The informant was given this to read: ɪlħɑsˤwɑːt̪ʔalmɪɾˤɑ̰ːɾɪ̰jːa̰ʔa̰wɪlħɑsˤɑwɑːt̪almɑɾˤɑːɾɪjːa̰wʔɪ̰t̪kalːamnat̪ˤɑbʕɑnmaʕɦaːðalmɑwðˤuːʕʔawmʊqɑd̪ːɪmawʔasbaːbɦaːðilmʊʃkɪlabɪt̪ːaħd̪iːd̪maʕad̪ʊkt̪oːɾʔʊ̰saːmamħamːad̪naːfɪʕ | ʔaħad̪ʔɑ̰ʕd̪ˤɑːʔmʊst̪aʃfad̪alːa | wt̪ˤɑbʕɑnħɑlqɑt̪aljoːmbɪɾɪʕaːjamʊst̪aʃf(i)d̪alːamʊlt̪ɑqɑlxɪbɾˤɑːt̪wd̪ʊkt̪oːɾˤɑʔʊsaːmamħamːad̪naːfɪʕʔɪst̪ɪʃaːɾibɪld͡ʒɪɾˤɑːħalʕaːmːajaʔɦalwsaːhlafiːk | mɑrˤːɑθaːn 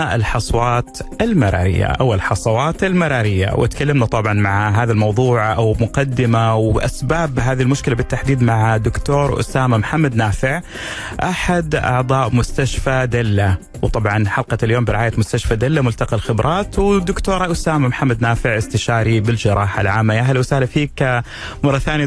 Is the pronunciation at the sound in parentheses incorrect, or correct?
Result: incorrect